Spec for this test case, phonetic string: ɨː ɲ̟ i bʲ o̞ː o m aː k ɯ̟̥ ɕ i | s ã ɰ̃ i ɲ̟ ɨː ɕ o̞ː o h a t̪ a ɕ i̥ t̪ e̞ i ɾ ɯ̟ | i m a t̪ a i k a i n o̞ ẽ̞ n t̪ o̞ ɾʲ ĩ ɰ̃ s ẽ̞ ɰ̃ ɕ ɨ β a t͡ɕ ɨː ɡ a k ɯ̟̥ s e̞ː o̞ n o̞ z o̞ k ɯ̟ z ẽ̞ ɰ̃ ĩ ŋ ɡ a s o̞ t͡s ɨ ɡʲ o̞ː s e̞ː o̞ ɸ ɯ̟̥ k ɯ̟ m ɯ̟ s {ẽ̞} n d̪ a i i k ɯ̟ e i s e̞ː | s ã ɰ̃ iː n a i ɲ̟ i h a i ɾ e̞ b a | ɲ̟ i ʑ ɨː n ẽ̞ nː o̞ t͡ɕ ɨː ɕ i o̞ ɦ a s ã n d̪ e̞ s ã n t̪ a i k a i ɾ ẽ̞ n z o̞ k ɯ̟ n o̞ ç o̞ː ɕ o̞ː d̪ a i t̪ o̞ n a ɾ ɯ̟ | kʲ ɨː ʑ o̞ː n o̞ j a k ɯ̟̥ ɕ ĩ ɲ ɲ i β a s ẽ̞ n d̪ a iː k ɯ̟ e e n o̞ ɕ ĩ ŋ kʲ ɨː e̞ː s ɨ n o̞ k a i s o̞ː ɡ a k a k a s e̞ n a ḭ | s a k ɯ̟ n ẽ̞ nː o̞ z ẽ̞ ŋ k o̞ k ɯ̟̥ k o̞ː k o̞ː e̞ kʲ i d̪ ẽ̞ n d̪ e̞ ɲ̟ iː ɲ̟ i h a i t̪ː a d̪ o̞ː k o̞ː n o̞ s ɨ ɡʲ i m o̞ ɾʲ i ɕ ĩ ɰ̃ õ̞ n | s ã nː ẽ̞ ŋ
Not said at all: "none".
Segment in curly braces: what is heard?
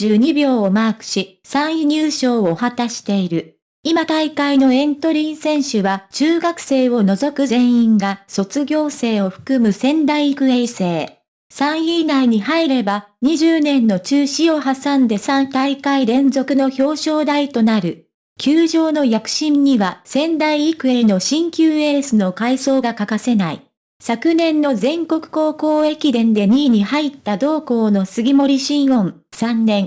ẽ̞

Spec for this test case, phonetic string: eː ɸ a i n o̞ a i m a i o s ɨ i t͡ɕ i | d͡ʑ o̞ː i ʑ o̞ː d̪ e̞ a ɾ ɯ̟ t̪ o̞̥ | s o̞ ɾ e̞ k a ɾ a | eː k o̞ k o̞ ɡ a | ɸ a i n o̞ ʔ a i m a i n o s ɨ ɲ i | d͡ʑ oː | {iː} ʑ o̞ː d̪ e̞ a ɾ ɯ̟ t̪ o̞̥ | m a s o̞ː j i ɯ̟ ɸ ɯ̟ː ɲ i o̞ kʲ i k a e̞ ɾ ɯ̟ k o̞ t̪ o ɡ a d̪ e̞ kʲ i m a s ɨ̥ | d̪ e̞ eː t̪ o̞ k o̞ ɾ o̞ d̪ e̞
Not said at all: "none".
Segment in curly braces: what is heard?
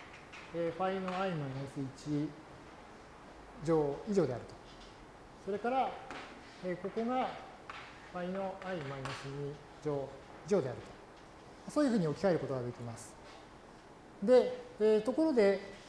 i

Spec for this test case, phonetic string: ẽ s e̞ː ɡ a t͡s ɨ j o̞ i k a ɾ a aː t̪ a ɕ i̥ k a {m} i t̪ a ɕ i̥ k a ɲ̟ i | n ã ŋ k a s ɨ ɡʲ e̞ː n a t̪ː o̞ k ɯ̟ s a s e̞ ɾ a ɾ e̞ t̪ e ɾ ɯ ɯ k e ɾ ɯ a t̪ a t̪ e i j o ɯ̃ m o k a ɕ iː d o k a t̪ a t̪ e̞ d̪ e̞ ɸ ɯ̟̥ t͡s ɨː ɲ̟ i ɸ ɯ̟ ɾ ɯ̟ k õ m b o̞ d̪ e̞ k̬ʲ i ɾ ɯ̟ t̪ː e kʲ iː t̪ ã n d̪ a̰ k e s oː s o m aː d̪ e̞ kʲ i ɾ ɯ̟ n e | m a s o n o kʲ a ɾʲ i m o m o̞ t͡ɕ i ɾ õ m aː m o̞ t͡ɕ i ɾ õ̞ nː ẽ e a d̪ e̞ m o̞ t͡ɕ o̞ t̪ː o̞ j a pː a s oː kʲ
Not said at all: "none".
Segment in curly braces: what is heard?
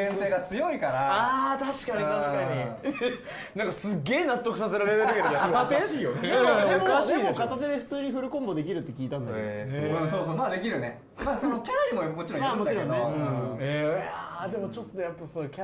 ɲ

